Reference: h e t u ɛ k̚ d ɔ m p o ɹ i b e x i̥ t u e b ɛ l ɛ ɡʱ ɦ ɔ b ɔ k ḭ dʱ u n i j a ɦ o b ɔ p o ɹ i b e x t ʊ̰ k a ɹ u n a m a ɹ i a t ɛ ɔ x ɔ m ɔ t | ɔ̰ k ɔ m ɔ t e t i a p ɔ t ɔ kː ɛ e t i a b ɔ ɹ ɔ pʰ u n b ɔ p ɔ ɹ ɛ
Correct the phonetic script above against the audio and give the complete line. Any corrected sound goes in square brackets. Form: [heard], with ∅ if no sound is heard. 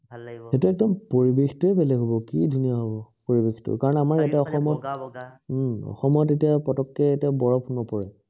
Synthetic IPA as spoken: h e t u ɛ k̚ d ɔ m p o ɹ i b e x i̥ t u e b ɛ l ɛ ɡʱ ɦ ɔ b ɔ k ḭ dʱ u n i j a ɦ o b ɔ p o ɹ i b e x t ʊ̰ k a ɹ [ɔ] n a m a ɹ [j] a t ɛ ɔ x ɔ m ɔ t | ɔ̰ [x] ɔ m ɔ t e t i a p ɔ t ɔ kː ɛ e t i a b ɔ ɹ ɔ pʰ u n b ɔ p ɔ ɹ ɛ